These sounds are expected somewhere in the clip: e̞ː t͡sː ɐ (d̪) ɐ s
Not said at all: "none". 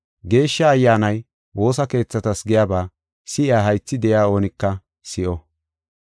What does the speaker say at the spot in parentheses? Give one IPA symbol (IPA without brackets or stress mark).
t̪